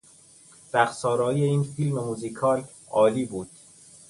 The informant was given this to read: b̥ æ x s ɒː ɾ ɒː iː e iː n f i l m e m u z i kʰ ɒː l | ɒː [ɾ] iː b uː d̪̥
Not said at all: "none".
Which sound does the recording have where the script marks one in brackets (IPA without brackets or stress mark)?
l